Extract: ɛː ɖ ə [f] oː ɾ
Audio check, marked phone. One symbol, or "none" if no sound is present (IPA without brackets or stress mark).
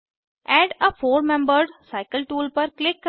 f